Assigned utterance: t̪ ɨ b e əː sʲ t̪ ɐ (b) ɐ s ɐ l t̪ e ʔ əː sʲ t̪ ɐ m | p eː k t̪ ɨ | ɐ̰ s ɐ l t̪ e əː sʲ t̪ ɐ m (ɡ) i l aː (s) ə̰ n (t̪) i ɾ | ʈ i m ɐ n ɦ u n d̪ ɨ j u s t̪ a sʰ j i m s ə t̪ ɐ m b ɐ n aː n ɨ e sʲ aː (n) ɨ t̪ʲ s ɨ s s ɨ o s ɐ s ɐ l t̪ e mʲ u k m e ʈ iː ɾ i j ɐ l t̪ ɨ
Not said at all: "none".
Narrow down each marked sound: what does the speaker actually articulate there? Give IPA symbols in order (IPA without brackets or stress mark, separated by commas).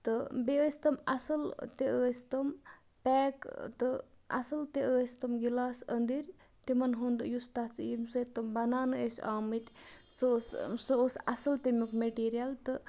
m, ɡ, s, d̪, m